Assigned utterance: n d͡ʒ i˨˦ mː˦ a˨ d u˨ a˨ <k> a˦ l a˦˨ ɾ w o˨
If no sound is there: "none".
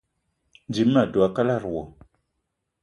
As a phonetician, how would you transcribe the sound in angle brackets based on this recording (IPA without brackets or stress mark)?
k